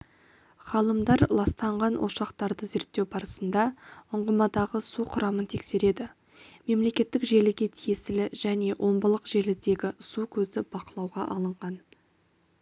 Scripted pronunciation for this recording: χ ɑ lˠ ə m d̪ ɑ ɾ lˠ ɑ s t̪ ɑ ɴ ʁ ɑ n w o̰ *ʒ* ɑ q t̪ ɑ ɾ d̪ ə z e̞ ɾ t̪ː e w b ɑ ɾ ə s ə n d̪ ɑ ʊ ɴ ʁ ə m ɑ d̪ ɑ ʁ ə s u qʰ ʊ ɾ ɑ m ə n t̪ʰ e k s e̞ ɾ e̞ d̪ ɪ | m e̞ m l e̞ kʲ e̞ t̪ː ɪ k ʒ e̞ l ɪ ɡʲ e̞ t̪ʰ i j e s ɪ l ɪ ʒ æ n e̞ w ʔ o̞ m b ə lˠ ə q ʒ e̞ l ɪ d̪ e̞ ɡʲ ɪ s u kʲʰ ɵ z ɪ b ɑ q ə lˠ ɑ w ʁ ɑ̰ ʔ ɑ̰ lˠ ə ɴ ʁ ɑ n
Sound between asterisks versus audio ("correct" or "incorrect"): incorrect